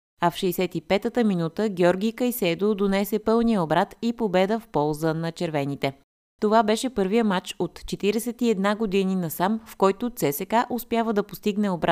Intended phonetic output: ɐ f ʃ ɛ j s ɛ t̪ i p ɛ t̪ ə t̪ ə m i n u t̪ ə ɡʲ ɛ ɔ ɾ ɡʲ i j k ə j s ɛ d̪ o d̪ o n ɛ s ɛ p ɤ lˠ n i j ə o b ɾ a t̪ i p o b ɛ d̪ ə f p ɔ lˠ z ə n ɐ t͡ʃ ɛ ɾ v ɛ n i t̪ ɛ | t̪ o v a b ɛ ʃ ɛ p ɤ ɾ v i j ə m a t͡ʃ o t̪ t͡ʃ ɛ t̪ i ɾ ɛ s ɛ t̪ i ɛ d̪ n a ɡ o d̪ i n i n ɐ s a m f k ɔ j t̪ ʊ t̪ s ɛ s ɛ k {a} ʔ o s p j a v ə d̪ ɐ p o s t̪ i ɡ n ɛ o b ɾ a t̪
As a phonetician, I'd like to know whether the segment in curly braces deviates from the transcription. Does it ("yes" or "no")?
no